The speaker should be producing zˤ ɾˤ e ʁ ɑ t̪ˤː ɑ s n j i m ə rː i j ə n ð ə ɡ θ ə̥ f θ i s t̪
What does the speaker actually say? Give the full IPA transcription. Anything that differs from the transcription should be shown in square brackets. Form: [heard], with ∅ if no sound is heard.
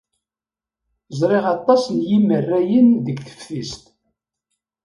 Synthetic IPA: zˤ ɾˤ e ʁ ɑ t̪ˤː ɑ s n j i m ə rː [æ] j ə n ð ə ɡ θ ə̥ f θ i s t̪